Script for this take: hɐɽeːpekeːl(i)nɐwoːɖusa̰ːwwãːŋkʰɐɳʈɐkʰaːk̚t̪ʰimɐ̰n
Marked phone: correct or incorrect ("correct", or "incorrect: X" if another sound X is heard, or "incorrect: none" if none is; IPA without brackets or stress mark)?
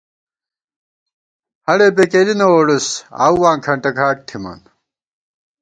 correct